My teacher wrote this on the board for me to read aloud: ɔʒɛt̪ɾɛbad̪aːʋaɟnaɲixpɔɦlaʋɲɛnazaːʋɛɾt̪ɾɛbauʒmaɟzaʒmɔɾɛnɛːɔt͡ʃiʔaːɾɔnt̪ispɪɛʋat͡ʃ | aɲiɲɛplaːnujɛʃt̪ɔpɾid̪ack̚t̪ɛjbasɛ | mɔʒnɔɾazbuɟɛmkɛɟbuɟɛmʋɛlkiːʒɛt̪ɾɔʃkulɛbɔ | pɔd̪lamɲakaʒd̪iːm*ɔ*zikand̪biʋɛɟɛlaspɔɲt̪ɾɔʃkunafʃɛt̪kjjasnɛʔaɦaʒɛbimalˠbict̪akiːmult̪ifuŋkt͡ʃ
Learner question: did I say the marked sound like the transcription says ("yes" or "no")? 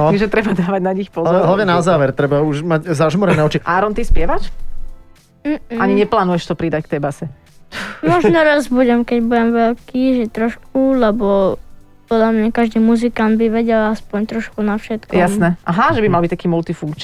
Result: no